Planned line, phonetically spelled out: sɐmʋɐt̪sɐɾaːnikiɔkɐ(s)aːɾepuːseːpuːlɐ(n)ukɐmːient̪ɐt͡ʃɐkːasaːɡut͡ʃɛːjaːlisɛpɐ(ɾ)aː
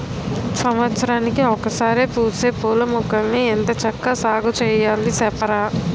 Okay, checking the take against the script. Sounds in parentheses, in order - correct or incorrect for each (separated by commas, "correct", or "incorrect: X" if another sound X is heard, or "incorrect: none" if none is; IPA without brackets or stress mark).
correct, incorrect: m, correct